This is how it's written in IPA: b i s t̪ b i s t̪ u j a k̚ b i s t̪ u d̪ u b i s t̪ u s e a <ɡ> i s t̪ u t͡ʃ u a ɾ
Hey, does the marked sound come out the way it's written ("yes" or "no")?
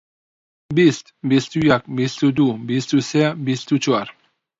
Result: no